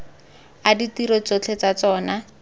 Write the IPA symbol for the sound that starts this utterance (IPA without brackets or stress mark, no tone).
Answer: a